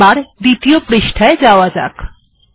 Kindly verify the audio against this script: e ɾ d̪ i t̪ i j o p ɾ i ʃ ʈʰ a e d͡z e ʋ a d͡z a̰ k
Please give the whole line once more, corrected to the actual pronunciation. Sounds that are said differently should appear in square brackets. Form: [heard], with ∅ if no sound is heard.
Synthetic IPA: [a] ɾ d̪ i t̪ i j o p ɾ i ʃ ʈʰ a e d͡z [a] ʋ a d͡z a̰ k